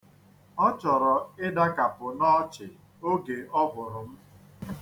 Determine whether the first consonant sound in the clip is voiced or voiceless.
voiceless